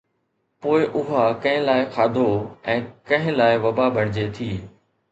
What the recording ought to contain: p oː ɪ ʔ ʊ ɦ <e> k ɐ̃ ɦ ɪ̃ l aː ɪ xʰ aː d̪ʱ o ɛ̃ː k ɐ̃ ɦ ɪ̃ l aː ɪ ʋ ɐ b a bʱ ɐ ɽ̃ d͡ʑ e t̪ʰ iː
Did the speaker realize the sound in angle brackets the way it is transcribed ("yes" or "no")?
no